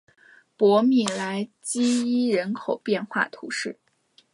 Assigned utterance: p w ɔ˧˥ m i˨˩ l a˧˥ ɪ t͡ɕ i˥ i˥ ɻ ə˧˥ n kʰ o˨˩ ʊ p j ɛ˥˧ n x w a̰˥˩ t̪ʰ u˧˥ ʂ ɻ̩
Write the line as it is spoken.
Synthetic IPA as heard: p w ɔ˧˥ m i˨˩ l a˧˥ ɪ t͡ɕ i˥ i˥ ɻ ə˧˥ n kʰ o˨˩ ʊ p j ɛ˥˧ n x w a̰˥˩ t̪ʰ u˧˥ ʂ ɻ̩